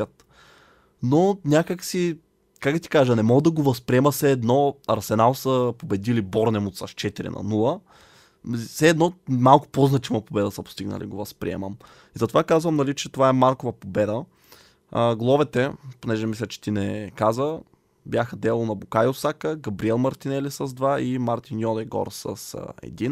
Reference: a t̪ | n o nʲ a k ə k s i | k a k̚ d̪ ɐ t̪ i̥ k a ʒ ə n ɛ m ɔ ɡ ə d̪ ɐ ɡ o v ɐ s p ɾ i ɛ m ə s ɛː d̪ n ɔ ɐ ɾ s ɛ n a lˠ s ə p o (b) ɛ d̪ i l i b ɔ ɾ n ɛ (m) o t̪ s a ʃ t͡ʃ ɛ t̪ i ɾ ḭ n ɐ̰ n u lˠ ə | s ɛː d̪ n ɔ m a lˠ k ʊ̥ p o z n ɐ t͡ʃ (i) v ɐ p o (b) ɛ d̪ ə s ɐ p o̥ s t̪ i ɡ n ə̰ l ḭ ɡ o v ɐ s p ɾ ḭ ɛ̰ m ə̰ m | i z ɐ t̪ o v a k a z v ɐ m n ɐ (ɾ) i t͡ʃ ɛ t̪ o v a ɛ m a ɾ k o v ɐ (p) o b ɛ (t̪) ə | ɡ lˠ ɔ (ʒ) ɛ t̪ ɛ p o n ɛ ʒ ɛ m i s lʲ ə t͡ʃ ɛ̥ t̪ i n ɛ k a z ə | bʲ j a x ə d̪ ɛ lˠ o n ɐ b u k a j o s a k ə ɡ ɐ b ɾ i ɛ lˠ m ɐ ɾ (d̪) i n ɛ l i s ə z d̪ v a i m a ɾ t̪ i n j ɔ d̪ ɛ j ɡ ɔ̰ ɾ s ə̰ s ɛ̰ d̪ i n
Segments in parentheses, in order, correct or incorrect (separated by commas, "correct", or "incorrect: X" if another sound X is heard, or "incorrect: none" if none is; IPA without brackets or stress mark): correct, correct, correct, correct, incorrect: l, correct, incorrect: d̪, incorrect: v, incorrect: t̪